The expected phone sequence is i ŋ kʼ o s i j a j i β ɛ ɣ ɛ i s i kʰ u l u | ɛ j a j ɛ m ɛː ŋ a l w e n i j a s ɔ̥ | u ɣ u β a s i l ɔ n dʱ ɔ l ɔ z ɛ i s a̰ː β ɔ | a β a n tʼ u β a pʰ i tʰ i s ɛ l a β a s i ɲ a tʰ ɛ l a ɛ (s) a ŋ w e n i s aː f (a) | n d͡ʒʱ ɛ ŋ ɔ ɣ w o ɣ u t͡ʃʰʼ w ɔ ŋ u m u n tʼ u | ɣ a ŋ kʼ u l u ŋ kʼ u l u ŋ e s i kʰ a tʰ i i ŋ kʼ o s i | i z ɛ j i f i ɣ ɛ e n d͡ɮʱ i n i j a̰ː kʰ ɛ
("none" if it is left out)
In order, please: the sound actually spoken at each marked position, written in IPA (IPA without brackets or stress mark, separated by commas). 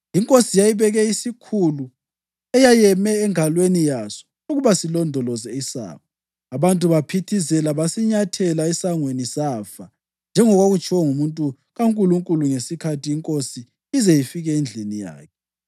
s, a